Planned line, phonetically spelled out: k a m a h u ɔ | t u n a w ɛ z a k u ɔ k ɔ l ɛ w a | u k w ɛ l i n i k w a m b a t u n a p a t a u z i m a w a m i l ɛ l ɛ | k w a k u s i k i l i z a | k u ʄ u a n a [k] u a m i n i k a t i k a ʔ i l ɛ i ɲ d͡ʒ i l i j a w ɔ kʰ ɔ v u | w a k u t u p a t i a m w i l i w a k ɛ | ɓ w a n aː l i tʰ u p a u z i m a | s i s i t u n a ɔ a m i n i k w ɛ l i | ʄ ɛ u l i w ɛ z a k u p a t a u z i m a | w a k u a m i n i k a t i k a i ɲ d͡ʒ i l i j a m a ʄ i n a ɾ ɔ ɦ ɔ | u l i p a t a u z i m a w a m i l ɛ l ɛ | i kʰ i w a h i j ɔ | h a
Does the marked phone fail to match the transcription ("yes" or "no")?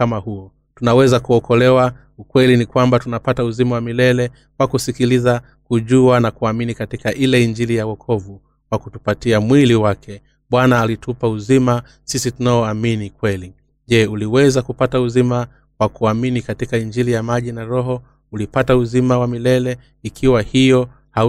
no